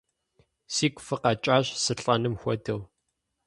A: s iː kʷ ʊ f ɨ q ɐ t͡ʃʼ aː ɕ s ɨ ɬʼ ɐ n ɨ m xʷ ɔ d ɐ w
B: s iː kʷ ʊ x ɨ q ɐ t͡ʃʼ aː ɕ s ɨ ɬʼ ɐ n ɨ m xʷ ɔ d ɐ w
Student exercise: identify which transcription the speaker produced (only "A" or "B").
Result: A